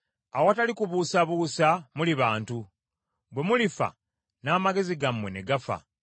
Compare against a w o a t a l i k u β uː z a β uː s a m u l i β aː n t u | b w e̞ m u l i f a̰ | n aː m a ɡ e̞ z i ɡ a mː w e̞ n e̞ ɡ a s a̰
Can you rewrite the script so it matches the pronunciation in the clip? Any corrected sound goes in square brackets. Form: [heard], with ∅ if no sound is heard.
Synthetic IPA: a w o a t a l i k u β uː [s] a β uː s a m u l i β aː n t u | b w e̞ m u l i f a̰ | n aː m a ɡ e̞ z i ɡ a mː w e̞ n e̞ ɡ a [f] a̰